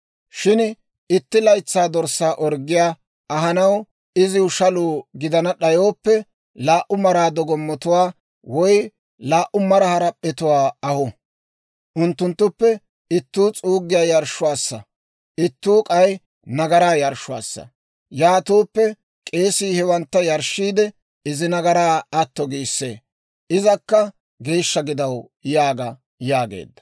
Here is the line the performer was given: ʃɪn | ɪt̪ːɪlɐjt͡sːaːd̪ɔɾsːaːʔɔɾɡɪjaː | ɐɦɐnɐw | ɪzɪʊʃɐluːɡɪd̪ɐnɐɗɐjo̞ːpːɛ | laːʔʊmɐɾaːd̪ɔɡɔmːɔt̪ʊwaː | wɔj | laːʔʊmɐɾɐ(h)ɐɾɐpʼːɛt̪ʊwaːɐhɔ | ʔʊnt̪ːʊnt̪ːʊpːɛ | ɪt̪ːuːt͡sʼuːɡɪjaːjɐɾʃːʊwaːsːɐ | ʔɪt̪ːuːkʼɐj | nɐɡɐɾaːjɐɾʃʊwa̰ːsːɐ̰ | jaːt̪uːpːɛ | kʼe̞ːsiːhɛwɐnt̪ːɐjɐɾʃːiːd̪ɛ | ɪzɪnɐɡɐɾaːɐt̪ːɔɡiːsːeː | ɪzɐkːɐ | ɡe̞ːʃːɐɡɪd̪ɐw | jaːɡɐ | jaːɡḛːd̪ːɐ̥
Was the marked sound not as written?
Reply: no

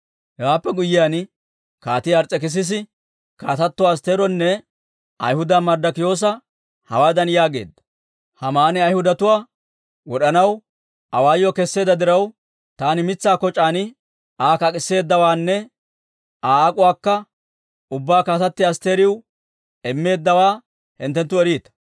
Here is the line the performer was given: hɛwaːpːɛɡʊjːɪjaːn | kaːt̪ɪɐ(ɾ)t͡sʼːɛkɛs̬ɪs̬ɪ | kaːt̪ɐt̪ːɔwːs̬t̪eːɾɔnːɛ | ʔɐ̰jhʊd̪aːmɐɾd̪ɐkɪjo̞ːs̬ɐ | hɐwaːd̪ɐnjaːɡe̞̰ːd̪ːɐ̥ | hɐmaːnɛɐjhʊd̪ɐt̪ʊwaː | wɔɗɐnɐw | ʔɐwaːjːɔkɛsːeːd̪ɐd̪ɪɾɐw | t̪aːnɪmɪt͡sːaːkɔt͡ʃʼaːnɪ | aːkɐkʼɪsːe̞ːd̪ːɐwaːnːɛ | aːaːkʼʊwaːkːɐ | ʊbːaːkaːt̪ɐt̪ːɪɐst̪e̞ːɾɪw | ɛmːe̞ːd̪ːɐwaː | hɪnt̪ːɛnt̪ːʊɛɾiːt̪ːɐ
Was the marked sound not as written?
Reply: no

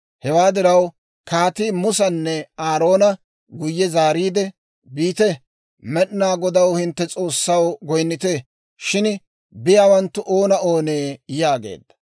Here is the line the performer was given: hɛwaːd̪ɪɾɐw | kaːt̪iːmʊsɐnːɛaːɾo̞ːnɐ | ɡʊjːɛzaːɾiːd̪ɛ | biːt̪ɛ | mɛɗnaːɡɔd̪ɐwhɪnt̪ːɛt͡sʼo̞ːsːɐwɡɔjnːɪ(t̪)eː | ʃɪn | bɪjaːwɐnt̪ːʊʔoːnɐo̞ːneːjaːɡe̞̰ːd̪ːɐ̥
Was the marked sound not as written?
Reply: no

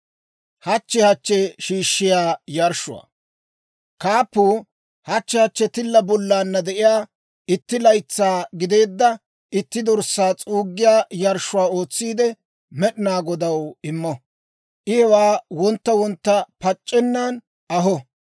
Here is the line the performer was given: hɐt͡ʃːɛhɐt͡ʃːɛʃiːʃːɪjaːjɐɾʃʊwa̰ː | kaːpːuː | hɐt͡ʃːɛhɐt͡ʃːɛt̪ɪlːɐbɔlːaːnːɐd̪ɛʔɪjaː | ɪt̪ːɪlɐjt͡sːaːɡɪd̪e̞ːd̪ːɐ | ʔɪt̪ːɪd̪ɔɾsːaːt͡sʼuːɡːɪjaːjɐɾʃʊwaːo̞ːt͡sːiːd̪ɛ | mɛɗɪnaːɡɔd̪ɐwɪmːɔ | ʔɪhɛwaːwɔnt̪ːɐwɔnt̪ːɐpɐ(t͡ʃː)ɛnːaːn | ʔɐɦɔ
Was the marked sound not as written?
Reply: yes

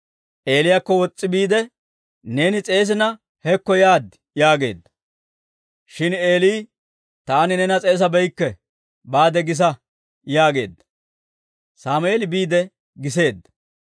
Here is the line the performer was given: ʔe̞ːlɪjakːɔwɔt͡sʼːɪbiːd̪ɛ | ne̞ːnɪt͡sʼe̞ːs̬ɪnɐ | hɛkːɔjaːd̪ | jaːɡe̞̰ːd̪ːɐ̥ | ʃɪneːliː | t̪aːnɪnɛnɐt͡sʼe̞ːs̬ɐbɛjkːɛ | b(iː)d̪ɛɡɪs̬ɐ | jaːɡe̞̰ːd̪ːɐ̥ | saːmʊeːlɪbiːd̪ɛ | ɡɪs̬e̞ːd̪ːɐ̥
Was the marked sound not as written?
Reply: yes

